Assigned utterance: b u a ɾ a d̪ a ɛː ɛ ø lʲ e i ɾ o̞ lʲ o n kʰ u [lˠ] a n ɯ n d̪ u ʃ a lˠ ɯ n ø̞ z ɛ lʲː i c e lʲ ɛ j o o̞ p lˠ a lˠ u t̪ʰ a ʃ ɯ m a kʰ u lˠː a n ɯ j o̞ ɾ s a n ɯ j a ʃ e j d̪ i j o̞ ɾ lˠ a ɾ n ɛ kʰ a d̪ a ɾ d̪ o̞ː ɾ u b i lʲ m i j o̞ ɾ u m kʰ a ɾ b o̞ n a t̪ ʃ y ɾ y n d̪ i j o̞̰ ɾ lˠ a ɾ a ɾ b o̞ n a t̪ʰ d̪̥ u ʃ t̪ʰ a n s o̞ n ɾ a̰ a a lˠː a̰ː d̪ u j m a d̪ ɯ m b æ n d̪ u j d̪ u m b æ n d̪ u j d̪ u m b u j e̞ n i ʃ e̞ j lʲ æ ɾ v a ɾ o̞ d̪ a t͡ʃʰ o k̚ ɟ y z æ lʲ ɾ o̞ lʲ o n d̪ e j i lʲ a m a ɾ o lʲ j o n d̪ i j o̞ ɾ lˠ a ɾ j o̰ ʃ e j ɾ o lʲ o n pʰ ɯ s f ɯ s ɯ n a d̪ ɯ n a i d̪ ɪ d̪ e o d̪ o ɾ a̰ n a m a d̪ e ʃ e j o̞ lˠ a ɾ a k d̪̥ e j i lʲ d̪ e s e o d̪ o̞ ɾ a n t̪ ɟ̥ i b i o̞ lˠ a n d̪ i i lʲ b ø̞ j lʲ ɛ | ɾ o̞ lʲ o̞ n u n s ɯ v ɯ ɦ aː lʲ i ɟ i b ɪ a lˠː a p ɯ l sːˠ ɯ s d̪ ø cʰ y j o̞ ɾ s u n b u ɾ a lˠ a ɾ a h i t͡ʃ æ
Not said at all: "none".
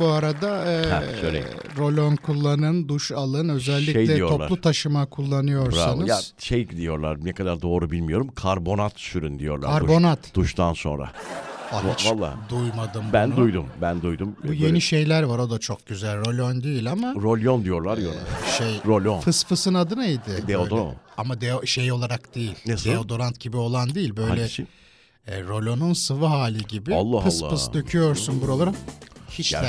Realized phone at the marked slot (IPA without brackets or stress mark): lˠː